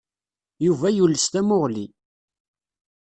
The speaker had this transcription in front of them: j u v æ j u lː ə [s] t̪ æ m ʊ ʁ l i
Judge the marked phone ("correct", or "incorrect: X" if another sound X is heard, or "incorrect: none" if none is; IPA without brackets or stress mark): correct